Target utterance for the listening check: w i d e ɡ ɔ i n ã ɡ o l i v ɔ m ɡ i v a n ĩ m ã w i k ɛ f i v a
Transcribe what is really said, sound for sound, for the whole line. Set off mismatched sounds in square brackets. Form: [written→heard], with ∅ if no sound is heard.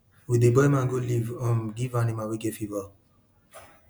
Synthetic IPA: w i d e [ɡ→b] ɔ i [n→m] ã ɡ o l i v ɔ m ɡ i v a n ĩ m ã w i [k→ɡ] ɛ f i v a